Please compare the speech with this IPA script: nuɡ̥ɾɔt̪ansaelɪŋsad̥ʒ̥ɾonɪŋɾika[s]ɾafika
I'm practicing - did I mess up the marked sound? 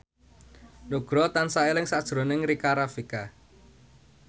yes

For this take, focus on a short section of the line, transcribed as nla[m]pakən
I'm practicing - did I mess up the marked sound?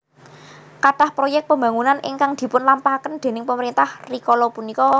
no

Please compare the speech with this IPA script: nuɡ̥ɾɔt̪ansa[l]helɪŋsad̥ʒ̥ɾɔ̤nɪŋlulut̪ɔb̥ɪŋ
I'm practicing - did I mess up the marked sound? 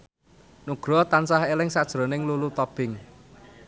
yes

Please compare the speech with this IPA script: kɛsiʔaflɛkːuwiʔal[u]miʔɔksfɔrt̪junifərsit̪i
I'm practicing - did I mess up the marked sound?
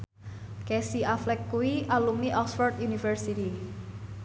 no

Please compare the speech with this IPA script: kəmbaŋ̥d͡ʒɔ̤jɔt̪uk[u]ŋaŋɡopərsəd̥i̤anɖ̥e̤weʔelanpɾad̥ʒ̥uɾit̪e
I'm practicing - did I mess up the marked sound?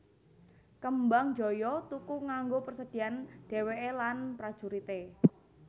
no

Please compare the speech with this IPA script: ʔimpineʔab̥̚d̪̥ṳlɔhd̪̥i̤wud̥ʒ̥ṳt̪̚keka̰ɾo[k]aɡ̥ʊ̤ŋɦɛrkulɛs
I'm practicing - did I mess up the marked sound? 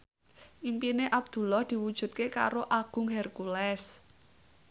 yes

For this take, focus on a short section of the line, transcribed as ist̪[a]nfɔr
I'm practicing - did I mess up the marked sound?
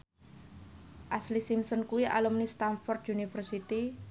no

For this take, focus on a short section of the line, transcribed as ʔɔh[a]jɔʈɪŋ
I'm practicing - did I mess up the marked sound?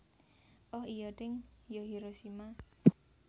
yes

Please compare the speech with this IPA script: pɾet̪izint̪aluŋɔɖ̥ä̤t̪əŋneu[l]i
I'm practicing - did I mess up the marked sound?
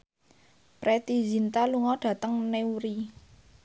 yes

